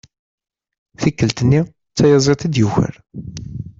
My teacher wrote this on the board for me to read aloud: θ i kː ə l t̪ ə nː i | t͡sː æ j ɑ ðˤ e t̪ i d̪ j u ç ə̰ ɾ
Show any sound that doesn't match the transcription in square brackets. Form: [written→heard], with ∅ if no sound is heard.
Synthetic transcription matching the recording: θ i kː ə l t̪ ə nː i | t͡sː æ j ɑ [ðˤ→zˤ] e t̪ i d̪ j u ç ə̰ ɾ